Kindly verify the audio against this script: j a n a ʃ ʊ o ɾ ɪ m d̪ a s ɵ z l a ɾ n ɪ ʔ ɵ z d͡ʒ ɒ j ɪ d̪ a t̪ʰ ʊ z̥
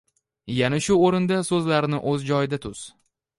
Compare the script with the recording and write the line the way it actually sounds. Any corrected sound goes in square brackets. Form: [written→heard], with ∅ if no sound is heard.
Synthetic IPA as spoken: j a n a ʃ ʊ o ɾ ɪ [m→n] d̪ a s ɵ z l a ɾ n ɪ ʔ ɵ z d͡ʒ ɒ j ɪ d̪ a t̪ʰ ʊ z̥